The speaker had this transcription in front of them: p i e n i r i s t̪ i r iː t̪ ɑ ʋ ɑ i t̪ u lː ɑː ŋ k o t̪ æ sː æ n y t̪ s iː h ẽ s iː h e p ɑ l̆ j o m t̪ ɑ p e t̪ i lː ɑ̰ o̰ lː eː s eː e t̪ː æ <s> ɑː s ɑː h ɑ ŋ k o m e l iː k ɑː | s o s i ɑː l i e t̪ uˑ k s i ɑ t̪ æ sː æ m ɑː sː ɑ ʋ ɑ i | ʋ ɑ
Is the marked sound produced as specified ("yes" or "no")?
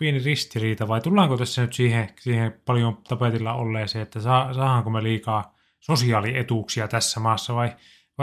yes